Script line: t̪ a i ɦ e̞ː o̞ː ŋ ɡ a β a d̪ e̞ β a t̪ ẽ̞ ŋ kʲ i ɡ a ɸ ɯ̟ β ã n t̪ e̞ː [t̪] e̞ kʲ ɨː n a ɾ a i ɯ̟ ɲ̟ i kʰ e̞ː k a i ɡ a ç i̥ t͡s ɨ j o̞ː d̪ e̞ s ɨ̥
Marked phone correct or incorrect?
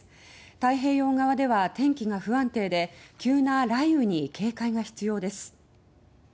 incorrect